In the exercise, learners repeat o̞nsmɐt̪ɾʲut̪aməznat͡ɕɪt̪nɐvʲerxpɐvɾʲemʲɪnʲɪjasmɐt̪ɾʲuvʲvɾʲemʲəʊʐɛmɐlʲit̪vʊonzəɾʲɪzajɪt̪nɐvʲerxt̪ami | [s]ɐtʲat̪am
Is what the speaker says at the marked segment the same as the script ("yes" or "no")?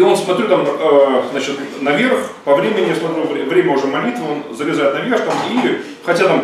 no